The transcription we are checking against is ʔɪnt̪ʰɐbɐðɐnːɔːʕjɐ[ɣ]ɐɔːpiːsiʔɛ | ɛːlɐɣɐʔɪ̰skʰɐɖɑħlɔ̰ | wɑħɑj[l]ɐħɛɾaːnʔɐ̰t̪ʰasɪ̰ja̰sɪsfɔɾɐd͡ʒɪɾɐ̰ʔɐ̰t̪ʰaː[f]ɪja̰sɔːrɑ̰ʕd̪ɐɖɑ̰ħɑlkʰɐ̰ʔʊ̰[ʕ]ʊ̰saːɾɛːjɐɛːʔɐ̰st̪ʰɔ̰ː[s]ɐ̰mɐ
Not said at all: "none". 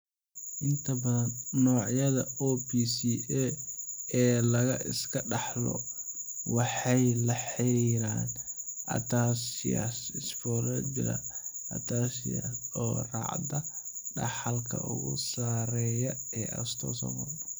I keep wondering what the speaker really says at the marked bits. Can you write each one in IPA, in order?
ð, l, s, ɣ, s

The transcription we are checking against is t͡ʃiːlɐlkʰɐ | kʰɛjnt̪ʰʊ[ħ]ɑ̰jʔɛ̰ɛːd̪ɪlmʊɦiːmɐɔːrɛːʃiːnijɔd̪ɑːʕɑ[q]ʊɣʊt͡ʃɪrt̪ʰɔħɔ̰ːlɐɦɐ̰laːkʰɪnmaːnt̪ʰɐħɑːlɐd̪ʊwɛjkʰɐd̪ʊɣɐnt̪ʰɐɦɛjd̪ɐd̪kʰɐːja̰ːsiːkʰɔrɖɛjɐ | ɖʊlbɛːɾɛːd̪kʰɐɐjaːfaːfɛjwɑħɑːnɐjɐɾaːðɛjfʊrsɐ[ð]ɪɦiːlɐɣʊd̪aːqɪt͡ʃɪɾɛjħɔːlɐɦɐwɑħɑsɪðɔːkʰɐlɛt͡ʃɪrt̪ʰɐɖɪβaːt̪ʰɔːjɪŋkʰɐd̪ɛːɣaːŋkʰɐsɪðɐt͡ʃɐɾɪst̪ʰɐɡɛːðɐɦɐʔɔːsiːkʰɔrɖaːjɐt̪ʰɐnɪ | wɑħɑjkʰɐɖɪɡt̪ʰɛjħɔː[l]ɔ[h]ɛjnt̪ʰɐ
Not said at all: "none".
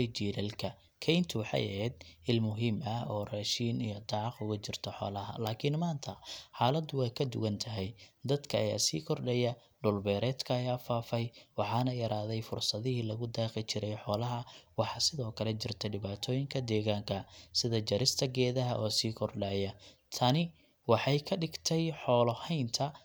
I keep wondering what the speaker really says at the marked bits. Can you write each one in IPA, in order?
ħ, q, ð, l, h

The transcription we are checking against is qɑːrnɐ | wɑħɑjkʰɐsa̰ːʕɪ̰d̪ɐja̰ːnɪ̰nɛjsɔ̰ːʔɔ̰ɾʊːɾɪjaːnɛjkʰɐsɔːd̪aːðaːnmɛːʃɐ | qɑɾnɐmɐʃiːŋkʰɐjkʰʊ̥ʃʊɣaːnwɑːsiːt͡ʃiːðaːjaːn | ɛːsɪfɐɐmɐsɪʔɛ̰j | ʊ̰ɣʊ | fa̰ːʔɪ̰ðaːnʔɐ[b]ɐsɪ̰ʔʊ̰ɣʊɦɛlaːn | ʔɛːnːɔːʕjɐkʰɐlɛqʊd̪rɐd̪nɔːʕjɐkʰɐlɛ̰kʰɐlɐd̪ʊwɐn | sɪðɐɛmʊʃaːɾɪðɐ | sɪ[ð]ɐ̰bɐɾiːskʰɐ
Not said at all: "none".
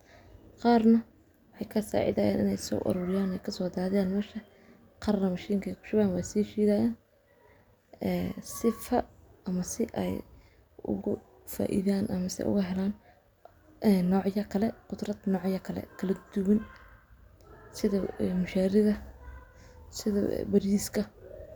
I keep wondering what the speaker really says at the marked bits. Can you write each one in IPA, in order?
m, ð

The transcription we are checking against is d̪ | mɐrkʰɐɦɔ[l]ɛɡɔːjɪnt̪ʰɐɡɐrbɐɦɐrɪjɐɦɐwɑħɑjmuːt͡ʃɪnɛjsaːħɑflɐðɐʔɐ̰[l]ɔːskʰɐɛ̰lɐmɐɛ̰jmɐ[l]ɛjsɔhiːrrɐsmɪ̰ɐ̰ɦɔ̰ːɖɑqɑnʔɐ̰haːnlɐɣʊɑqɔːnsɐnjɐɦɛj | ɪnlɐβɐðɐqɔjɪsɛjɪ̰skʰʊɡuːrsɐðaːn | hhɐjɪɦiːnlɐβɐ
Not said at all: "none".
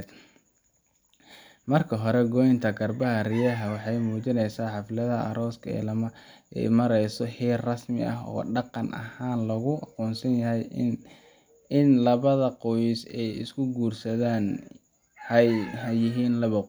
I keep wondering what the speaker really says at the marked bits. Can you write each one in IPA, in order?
ɾ, ɾ, ɾ

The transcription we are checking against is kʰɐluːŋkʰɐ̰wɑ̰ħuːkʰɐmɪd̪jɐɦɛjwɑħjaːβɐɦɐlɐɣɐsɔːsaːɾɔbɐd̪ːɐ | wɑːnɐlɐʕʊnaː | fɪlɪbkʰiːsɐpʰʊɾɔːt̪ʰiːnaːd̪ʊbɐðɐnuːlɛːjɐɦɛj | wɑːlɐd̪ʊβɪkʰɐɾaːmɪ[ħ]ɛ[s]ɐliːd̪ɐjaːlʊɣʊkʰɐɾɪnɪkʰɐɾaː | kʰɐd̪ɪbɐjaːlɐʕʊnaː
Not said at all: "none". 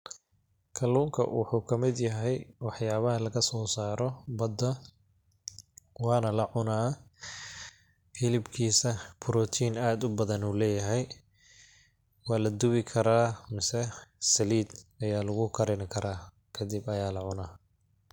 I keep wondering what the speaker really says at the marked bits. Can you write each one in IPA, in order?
s, s

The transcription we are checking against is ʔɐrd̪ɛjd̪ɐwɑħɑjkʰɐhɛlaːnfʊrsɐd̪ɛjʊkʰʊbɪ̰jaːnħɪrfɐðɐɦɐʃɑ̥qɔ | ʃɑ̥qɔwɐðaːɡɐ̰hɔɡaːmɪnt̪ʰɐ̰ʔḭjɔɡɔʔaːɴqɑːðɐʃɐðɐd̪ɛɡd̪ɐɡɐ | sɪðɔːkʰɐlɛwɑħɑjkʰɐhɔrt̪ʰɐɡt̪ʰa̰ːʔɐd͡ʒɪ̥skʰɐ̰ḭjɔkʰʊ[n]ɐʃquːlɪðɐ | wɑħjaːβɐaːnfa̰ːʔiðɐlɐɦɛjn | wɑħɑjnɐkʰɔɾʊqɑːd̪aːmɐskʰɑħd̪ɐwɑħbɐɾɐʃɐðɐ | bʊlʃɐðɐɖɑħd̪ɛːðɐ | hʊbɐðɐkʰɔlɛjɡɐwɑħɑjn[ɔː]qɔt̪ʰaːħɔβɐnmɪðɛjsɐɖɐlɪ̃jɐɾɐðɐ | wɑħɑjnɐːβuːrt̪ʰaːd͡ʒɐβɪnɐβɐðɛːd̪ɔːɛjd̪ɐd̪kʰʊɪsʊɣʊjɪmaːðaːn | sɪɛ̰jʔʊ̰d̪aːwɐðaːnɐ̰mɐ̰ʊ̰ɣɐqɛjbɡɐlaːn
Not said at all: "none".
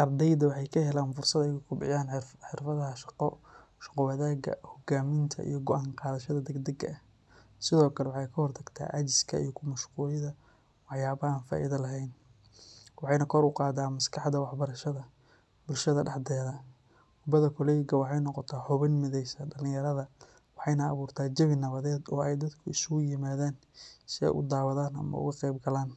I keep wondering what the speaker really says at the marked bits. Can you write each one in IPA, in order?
m, ɔ

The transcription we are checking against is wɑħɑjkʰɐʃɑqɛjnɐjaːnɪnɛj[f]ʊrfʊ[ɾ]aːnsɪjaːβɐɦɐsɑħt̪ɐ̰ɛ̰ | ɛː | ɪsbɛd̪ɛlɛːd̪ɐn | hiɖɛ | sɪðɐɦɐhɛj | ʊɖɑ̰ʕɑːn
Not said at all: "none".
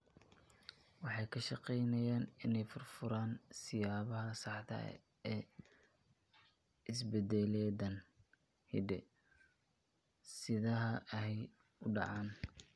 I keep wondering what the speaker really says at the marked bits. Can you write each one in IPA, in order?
f, ɾ

